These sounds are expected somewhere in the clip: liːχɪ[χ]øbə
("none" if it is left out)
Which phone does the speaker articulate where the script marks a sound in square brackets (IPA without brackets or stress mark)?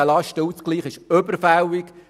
ʃ